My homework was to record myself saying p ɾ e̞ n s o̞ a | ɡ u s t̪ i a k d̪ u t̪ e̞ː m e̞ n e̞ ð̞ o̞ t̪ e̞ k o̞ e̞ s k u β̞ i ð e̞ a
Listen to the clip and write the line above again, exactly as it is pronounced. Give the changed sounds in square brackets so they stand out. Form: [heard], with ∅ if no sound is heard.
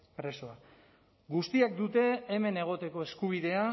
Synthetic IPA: p ɾ e̞ [∅] s o̞ a | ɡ u s t̪ i a k d̪ u t̪ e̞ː m e̞ n e̞ [ɣ̞] o̞ t̪ e̞ k o̞ e̞ s k u β̞ i ð e̞ a